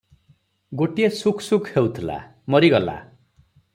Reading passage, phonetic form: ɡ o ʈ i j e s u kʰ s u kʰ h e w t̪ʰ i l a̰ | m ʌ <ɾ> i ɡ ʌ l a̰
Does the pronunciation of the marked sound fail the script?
no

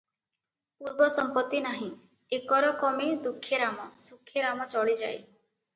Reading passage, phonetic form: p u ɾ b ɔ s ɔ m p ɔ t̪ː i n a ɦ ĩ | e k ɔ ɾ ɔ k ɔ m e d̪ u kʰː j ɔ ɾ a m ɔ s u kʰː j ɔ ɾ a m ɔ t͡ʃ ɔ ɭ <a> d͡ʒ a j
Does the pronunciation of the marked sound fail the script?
yes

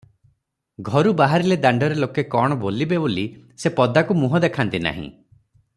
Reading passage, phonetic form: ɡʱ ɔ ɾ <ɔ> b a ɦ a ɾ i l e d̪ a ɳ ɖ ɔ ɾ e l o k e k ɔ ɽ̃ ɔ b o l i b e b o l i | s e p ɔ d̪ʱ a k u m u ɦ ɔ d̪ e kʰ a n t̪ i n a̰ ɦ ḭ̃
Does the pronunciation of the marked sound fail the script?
yes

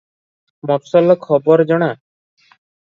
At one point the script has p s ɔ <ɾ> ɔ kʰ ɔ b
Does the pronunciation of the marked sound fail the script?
yes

